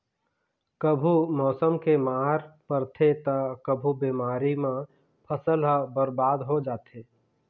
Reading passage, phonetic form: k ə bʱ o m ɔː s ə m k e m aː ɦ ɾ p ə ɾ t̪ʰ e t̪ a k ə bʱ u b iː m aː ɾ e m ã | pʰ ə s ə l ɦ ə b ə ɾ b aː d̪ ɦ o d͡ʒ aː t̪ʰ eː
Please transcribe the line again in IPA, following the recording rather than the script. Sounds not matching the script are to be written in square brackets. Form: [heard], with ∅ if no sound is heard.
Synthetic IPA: k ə bʱ [u] m ɔː s ə m k e m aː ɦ ɾ p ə ɾ t̪ʰ e t̪ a k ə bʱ u b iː m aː ɾ [i] m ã | pʰ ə s ə l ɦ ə b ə ɾ b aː d̪ ɦ o d͡ʒ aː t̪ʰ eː